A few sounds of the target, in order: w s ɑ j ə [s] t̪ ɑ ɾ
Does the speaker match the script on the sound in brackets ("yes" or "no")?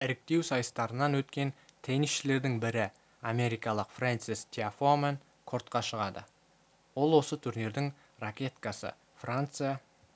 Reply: yes